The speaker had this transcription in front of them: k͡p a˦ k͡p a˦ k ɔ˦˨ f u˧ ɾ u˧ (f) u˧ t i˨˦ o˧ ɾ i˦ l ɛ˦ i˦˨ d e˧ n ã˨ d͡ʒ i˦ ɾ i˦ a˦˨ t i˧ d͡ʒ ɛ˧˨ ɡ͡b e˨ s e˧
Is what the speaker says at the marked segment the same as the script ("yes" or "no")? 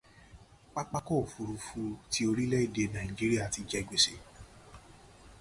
yes